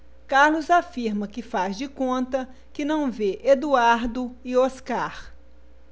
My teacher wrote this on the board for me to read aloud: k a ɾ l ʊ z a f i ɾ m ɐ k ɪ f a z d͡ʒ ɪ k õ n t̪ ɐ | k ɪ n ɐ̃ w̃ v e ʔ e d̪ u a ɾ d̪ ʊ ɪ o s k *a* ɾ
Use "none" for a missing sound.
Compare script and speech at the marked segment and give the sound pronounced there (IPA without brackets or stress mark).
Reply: a